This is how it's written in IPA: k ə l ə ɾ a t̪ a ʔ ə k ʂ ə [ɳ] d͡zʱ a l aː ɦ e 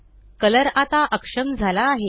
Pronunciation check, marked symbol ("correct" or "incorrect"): incorrect